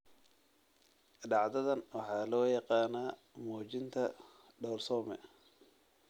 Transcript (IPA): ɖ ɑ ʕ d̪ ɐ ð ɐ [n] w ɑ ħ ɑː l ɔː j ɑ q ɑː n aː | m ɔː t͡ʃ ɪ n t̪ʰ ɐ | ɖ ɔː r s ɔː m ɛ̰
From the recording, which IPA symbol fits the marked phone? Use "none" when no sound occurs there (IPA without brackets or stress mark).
n